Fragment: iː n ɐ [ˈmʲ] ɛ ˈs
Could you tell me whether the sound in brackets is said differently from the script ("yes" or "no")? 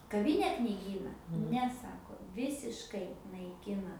yes